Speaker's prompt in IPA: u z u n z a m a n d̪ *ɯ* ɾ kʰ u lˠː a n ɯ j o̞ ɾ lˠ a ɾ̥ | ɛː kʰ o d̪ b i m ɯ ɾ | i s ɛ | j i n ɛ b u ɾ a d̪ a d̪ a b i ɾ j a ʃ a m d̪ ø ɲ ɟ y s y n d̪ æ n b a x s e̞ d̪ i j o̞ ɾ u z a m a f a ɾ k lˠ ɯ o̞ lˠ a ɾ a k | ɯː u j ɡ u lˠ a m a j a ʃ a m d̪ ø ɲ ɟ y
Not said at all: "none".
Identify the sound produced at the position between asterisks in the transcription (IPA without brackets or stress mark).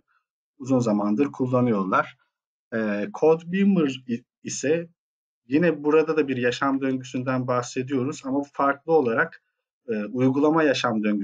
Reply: ɯ